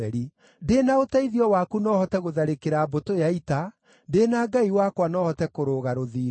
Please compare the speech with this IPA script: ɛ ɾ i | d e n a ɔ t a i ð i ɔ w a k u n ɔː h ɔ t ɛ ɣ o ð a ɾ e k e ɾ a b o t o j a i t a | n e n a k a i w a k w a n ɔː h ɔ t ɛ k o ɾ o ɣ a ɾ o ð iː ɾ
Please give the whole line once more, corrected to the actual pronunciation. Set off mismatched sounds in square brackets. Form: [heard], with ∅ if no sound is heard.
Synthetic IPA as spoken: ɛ ɾ i | d e n a [o] t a i ð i ɔ w a k u n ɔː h ɔ t ɛ ɣ o ð a ɾ e k e ɾ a b o t o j a i t a | [d] e n a [ɡ] a i w a k w a n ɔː h ɔ t ɛ k o ɾ o ɣ a ɾ o ð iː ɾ